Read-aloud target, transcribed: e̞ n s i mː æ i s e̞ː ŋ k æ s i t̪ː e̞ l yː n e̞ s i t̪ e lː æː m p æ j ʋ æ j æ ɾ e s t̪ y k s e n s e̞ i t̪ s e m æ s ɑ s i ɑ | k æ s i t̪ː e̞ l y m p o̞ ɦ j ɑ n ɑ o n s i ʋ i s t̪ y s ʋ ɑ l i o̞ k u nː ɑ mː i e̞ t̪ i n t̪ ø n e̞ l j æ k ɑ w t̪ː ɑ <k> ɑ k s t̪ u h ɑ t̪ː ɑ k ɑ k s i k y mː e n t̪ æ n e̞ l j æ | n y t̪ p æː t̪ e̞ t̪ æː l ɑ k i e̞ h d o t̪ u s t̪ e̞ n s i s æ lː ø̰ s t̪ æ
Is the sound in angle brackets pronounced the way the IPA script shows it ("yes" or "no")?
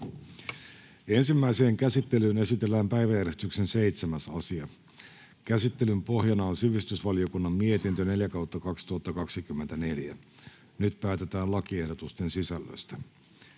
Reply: yes